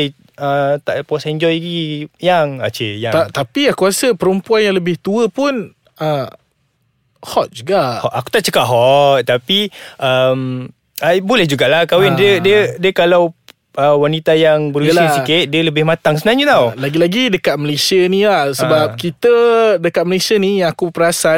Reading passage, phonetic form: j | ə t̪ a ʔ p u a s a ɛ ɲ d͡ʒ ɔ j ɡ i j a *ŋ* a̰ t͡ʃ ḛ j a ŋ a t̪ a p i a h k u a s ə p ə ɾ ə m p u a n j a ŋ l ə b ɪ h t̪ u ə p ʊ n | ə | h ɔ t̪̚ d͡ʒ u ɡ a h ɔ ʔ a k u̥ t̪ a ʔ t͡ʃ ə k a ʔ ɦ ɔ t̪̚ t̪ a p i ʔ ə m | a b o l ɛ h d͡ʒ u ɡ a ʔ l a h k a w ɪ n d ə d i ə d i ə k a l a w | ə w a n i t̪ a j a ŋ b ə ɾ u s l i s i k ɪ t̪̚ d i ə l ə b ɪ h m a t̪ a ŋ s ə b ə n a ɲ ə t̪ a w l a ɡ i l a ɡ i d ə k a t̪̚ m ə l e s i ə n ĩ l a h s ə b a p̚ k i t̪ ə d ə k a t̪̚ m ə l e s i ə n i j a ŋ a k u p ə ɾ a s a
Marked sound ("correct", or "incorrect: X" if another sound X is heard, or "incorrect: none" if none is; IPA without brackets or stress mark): correct